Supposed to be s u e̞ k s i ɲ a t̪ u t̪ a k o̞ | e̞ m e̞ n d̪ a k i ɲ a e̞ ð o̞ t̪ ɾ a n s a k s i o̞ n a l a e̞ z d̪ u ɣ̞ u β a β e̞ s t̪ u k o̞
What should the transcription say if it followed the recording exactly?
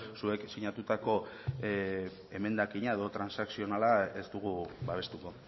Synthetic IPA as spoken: s u e̞ k s i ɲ a t̪ u t̪ a k o̞ | e̞ m e̞ n d̪ a k i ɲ a e̞ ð o̞ t̪ ɾ a n s a k s i o̞ n a l a e̞ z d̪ u ɣ̞ u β a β e̞ s t̪ u k o̞